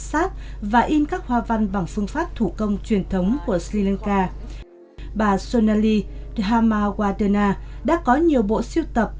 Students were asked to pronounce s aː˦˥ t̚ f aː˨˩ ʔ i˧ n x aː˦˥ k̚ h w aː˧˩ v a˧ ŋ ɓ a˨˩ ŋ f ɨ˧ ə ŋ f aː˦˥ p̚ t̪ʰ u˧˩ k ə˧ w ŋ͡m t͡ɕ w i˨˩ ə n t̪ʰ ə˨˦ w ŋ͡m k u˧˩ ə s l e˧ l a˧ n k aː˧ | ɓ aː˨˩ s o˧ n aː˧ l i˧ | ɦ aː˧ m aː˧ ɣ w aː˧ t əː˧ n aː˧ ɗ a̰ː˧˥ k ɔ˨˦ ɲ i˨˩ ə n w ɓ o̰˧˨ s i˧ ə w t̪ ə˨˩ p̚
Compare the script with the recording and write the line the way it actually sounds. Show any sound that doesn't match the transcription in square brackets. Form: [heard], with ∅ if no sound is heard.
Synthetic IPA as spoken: s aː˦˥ t̚ [v] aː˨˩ ʔ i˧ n [k] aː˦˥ k̚ h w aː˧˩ v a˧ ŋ ɓ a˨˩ ŋ f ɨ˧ ə ŋ f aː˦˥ p̚ t̪ʰ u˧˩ k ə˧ w ŋ͡m t͡ɕ w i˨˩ ə n t̪ʰ ə˨˦ w ŋ͡m k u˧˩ ə s l [i˧] l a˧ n k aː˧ | ɓ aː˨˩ s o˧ n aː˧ l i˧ | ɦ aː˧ m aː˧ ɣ w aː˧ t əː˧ n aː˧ ɗ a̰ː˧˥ k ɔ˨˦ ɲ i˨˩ ə [∅] w ɓ o̰˧˨ s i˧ ə w t̪ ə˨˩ p̚